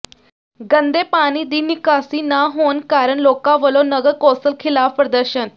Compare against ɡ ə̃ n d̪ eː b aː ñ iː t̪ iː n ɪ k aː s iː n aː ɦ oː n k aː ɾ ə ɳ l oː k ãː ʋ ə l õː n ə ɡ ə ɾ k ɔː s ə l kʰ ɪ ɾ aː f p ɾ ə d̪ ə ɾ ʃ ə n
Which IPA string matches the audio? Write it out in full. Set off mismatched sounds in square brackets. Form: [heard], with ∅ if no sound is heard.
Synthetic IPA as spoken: ɡ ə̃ n d̪ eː [p] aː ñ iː [d̪] iː n ɪ k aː s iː n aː ɦ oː n k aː ɾ ə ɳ l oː k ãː ʋ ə l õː n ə ɡ ə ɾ k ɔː s ə l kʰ ɪ [l] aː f p ɾ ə d̪ ə ɾ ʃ ə n